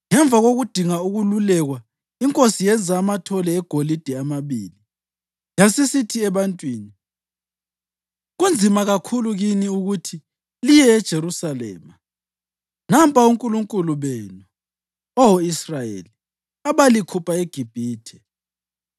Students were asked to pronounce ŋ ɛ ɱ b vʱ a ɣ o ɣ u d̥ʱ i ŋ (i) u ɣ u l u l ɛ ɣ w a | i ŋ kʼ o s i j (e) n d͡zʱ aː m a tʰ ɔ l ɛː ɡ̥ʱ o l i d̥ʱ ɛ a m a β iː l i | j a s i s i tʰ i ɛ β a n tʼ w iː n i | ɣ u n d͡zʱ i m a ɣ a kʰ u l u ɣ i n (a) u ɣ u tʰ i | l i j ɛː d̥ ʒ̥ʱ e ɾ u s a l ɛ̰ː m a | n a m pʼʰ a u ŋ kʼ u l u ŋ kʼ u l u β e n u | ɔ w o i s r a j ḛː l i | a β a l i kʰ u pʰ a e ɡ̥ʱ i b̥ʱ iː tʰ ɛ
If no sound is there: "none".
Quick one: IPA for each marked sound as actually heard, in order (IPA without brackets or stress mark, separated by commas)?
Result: a, ɛ, i